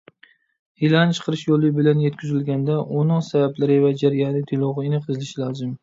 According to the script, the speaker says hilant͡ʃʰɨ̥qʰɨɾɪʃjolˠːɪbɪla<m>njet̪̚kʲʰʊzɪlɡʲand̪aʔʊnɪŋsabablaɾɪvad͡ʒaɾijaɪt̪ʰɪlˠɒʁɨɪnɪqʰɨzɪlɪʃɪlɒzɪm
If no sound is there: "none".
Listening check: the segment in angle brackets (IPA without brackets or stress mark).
none